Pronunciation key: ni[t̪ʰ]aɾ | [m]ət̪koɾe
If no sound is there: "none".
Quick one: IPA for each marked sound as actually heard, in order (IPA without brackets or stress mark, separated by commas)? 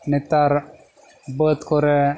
t̪, b